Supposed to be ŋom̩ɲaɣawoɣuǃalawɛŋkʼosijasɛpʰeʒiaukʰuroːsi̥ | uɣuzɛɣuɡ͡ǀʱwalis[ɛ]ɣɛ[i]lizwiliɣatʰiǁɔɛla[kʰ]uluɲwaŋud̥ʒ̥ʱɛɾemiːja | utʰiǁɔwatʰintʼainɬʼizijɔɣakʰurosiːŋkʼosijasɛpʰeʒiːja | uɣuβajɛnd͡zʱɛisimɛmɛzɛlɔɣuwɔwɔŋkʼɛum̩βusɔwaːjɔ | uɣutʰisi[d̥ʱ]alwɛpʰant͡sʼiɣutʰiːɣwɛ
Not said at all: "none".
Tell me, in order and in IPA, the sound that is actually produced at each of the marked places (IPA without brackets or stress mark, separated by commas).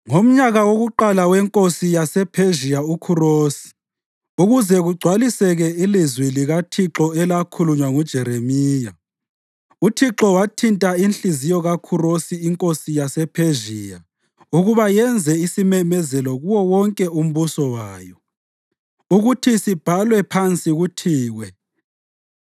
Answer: ɛ, i, kʰ, b̥ʱ